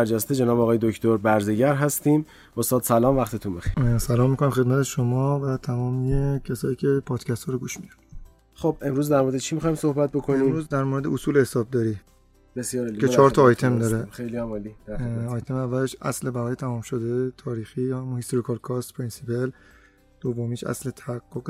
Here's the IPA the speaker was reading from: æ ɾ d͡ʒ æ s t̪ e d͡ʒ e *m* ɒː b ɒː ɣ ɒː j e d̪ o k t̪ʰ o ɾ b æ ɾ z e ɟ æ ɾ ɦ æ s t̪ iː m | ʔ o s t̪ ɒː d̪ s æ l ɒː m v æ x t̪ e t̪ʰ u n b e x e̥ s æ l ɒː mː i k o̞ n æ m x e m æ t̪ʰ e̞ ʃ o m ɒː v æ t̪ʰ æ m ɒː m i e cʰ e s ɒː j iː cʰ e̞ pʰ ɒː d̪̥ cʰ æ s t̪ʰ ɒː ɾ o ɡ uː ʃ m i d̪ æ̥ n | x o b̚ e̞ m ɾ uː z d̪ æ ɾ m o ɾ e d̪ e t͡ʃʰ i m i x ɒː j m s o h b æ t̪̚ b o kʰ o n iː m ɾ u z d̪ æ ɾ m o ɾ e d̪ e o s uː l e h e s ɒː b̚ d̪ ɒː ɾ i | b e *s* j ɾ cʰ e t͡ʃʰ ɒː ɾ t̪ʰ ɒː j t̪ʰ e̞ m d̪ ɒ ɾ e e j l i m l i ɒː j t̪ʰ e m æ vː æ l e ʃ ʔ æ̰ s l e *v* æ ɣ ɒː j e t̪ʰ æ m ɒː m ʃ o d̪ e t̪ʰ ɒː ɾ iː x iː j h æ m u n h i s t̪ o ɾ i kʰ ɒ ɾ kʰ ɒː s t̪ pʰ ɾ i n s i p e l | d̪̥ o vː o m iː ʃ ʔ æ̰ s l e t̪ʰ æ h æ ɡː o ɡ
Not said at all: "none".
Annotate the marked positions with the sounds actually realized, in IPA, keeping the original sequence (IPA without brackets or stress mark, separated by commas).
n, s, b